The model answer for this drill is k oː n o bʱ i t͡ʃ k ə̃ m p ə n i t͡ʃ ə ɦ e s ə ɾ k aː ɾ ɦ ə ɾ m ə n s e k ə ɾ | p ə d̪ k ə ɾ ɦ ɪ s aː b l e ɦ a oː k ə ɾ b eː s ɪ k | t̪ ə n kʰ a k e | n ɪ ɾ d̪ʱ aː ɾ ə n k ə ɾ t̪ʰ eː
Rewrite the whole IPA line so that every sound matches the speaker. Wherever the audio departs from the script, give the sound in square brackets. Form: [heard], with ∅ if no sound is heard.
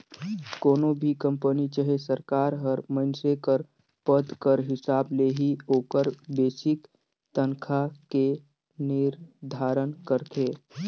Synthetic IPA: k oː n o bʱ i [∅] k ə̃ m p ə n i t͡ʃ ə ɦ e s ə ɾ k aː ɾ ɦ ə ɾ m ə n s e k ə ɾ | p ə d̪ k ə ɾ ɦ ɪ s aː b l e ɦ [i] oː k ə ɾ b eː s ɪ k | t̪ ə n kʰ a k e | n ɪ ɾ d̪ʱ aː ɾ ə n k ə ɾ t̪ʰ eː